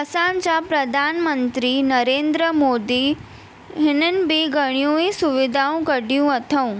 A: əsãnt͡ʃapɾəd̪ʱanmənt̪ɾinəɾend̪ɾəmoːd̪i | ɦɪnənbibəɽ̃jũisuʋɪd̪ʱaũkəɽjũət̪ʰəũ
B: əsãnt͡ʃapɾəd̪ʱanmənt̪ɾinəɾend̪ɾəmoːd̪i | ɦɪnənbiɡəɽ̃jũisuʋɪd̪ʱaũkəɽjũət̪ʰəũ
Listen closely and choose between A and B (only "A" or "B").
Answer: B